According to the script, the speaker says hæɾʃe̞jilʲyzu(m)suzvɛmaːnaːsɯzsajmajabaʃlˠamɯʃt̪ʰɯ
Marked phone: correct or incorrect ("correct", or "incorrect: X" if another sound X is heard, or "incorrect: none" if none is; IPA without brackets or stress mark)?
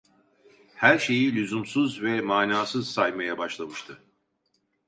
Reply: correct